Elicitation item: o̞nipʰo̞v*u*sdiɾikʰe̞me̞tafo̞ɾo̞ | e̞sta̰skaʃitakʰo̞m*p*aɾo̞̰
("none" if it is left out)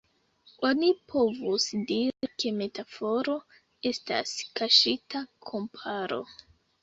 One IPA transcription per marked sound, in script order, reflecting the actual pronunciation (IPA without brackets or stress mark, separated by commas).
u, pʰ